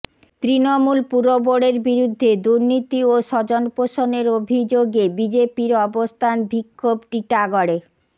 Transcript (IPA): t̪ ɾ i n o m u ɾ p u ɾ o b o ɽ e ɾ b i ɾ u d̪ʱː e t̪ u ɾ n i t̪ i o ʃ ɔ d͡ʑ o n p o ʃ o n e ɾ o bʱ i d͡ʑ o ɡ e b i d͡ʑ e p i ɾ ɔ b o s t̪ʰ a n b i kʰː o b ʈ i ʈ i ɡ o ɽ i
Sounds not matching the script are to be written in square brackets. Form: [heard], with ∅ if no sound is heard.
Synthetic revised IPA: t̪ ɾ i n o m u [l] p u ɾ o b o ɽ e ɾ b i ɾ u d̪ʱː e [d̪] u ɾ n i t̪ i o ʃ ɔ d͡ʑ o n p o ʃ o n e ɾ o bʱ i d͡ʑ o ɡ e b i d͡ʑ e p i ɾ ɔ b o s t̪ʰ a n b i kʰː o b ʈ i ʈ [a] ɡ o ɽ [e]